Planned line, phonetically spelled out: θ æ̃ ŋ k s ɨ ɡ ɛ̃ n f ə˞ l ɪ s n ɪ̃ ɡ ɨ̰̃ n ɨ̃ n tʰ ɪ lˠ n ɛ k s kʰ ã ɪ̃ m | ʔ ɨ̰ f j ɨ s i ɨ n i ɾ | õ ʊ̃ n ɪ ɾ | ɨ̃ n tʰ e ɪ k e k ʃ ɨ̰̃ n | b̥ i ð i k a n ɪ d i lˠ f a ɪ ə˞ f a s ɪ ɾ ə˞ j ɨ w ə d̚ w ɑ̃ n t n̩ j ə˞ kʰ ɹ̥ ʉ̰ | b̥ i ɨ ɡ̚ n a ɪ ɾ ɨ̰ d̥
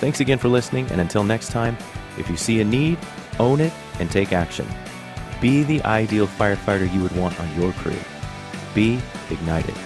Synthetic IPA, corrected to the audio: θ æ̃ ŋ k s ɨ ɡ ɛ̃ n f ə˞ l ɪ s n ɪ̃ ŋ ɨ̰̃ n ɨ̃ n tʰ ɪ lˠ n ɛ k s tʰ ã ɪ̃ m | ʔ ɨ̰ f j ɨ s i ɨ n i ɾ | õ ʊ̃ n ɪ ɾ | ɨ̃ n tʰ e ɪ k æ k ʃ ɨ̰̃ n | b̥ i ð i ʔ a ɪ d i lˠ f a ɪ ə˞ f a ɪ ɾ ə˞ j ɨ w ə d̚ w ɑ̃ n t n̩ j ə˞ kʰ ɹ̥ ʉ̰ | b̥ i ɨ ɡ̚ n a ɪ ɾ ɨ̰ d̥